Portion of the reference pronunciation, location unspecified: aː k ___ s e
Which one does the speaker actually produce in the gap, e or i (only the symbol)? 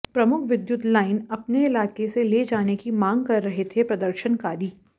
e